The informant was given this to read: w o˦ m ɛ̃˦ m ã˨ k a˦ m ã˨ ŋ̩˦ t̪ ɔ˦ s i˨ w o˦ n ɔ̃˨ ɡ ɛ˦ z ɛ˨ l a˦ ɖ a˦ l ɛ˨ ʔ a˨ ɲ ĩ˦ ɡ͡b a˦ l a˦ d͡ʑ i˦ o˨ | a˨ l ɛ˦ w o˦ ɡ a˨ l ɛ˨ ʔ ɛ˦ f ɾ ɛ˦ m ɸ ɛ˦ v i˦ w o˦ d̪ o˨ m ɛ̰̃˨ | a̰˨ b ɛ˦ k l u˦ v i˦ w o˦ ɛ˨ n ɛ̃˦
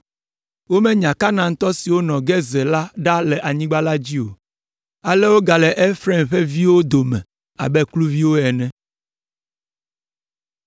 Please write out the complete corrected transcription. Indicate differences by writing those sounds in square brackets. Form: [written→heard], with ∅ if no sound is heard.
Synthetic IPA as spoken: w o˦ m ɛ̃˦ [m→ɲ] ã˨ k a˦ [m→n] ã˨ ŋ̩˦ t̪ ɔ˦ s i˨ w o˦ n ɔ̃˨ ɡ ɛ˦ z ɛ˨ l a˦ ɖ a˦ l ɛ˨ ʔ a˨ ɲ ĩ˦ ɡ͡b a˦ l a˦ d͡ʑ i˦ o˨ | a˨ l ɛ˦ w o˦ ɡ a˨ l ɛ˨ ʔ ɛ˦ f ɾ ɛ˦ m ɸ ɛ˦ v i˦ w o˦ d̪ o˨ m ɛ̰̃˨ | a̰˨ b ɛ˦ k l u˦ v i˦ w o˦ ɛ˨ n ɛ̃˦